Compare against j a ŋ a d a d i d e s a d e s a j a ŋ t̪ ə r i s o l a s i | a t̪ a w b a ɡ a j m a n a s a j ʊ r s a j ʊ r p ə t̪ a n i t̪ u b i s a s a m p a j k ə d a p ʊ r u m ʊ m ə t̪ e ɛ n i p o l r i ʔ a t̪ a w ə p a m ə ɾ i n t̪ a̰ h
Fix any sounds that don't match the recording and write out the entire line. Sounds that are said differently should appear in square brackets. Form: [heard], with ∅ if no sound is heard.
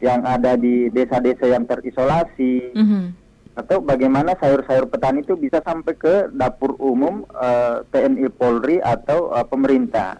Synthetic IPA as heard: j a ŋ a d a d i d e s a d e s a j a ŋ t̪ ə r i s o l a s i | a t̪ a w b a ɡ a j m a n a s a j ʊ r s a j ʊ r p ə t̪ a n i t̪ u b i s a s a m p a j k ə d a p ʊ r u m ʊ m ə t̪ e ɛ n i p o l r i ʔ a t̪ a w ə p [ə] m ə ɾ i n t̪ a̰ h